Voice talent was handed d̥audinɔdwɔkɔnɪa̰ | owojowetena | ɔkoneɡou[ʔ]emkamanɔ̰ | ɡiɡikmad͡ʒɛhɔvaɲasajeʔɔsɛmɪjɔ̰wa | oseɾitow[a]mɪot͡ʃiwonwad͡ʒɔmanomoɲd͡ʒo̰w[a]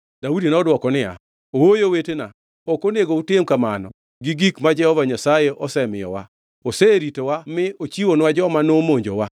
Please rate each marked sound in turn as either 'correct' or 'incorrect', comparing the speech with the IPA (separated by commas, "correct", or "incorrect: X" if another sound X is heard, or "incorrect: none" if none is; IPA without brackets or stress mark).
incorrect: t, correct, correct